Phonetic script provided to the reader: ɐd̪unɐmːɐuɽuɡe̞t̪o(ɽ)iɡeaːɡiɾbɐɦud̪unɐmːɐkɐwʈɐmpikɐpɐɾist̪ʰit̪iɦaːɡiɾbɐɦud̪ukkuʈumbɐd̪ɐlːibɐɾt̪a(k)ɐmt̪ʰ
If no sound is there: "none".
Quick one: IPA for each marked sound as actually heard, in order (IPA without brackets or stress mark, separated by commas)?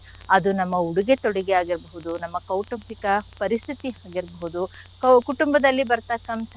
ɽ, k